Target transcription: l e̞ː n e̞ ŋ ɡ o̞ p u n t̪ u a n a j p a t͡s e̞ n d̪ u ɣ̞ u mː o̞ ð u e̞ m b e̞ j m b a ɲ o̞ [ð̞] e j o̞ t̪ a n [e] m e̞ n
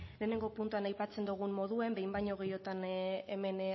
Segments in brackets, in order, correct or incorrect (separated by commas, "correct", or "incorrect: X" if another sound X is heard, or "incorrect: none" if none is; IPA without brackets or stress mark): incorrect: ɣ̞, correct